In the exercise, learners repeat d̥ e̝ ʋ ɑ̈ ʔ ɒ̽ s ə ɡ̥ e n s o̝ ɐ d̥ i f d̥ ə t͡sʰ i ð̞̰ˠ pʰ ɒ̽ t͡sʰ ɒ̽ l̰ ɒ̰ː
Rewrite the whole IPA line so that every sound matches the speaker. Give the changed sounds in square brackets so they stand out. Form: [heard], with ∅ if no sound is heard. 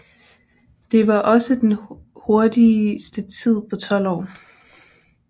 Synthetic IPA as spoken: d̥ e̝ ʋ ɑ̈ ʔ ɒ̽ s ə [d̥] e n [h] o̝ ɐ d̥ i [s] d̥ ə t͡sʰ i ð̞̰ˠ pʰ ɒ̽ t͡sʰ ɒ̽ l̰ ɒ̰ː